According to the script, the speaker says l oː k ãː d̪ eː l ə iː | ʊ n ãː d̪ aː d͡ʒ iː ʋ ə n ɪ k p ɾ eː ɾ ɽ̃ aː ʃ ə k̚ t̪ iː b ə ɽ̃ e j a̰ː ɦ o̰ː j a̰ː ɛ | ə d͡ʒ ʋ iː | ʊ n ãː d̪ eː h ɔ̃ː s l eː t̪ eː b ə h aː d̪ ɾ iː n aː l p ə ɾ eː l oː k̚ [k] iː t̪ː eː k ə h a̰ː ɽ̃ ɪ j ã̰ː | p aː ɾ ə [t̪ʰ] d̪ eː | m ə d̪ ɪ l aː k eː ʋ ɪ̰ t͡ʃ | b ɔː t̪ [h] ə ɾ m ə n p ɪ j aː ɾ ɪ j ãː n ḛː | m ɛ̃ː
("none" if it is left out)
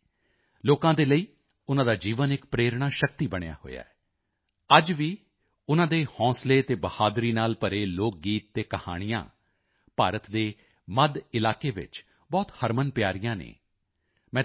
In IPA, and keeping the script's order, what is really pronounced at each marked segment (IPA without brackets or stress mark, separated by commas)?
ɡ, t̪, h